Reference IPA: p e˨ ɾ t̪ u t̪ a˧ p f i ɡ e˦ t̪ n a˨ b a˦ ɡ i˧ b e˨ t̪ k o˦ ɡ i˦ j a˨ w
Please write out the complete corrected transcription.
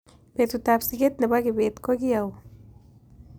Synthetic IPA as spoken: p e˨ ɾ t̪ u t̪ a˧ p s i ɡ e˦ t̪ n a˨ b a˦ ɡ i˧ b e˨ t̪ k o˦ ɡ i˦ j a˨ w